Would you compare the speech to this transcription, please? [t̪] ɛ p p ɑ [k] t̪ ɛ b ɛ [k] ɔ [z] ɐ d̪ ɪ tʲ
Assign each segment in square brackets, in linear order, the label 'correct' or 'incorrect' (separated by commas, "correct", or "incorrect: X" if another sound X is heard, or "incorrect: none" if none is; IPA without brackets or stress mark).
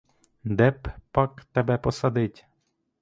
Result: incorrect: d̪, correct, incorrect: p, incorrect: s